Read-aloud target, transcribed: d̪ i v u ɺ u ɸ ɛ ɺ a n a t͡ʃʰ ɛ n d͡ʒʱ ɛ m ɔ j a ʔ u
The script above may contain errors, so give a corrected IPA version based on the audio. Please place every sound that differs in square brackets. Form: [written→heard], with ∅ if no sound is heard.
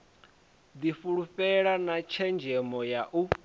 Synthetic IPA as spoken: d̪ i [v→f] u ɺ u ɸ ɛ ɺ a n a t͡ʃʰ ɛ n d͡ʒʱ ɛ m ɔ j a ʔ u